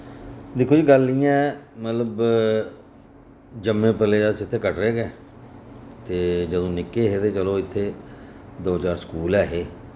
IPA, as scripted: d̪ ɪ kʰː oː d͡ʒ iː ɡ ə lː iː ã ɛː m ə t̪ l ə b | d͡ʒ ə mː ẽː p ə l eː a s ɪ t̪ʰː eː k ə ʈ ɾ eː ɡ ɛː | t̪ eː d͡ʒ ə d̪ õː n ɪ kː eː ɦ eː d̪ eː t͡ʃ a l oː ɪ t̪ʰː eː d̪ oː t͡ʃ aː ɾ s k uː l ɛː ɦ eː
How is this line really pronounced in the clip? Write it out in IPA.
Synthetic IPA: d̪ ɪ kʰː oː d͡ʒ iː ɡ ə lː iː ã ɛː m ə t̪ l ə b | d͡ʒ ə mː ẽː p ə l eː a s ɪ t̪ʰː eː k ə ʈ ɾ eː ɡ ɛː | t̪ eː d͡ʒ ə d̪ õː n ɪ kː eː ɦ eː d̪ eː t͡ʃ ə l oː ɪ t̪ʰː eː d̪ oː t͡ʃ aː ɾ s k uː l ɛː ɦ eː